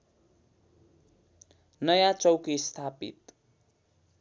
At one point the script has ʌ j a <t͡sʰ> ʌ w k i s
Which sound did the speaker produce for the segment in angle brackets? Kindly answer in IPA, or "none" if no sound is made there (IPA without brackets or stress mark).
t͡s